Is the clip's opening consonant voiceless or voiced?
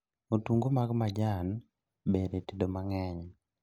voiceless